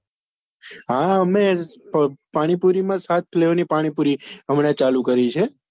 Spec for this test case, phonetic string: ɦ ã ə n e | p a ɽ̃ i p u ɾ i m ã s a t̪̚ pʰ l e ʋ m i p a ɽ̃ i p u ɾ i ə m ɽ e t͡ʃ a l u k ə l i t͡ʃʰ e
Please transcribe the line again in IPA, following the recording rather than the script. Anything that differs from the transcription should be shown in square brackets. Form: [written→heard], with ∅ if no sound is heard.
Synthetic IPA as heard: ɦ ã ə [n→m] e | p a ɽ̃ i p u ɾ i m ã s a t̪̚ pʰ l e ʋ [m→n] i p a ɽ̃ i p u ɾ i ə m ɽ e t͡ʃ a l u k ə [l→ɾ] i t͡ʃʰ e